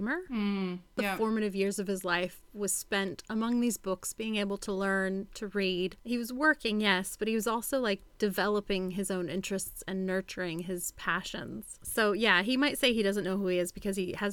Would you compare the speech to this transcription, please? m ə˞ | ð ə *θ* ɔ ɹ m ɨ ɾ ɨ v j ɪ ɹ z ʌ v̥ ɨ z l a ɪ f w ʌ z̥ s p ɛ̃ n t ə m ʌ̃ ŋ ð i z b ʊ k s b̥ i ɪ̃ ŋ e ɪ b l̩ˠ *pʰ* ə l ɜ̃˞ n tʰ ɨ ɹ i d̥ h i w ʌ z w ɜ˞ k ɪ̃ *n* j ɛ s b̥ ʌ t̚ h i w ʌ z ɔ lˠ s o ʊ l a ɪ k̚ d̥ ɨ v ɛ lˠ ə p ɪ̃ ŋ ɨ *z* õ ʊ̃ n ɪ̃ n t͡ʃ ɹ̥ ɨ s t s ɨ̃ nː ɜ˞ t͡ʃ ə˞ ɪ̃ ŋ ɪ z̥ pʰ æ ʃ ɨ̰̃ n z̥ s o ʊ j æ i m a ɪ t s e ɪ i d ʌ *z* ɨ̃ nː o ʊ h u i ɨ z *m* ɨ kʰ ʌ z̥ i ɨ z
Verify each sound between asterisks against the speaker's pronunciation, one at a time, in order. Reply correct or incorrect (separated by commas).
incorrect, incorrect, incorrect, correct, correct, incorrect